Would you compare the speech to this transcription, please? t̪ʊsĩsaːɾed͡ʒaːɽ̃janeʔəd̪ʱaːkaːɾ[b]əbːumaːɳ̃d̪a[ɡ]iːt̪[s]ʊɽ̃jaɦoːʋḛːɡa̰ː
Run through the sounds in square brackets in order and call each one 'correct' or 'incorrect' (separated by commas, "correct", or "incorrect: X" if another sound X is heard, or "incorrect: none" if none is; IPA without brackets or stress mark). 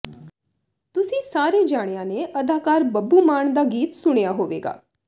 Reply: correct, correct, correct